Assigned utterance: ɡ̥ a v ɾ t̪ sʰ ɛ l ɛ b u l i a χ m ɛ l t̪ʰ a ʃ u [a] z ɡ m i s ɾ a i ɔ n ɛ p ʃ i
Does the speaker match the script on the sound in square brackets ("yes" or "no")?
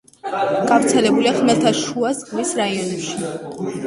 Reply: yes